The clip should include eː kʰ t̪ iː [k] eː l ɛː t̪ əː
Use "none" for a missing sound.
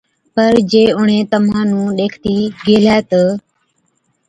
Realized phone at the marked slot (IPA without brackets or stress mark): ɡ